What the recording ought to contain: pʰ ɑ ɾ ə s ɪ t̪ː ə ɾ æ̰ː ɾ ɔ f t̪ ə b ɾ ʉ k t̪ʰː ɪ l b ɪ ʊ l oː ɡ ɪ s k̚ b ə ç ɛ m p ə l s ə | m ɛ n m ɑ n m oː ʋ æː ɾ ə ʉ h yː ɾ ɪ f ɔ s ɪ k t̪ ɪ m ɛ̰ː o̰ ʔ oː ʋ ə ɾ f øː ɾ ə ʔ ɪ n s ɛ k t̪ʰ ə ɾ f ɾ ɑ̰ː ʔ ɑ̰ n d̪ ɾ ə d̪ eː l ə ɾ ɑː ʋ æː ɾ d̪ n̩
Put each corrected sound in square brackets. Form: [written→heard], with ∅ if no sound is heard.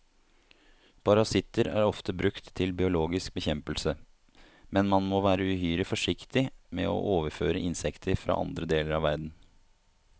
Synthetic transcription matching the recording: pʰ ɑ ɾ [ə→ɑ] s ɪ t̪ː ə ɾ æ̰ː ɾ ɔ f t̪ ə b ɾ ʉ k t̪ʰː ɪ l b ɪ ʊ l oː ɡ ɪ s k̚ b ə ç ɛ m p ə l s ə | m ɛ n m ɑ n m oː ʋ æː ɾ ə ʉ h yː ɾ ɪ f ɔ [s→ʂ] ɪ k t̪ ɪ m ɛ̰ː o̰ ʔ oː ʋ ə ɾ f øː ɾ ə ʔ ɪ n s ɛ k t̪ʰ ə ɾ f ɾ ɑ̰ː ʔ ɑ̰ n d̪ ɾ ə d̪ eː l ə ɾ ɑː ʋ [æː→æ] ɾ d̪ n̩